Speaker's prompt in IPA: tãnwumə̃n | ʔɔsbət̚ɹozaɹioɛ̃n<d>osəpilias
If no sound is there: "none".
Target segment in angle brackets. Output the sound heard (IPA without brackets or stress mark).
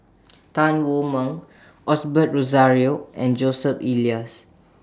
d͡ʒ